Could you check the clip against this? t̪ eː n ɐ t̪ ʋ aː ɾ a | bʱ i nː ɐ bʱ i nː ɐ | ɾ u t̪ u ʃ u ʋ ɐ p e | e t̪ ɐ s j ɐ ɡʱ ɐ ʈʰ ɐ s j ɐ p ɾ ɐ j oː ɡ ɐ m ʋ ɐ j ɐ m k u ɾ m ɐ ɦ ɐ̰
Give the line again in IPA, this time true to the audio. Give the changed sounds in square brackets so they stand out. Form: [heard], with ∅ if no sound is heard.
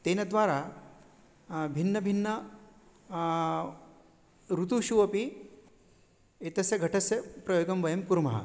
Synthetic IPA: t̪ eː n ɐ [d̪] ʋ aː ɾ a | bʱ i nː ɐ bʱ i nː ɐ | ɾ u t̪ u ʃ u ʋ ɐ p [i] | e t̪ ɐ s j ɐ ɡʱ ɐ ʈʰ ɐ s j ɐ p ɾ ɐ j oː ɡ ɐ m ʋ ɐ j ɐ m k u ɾ m ɐ ɦ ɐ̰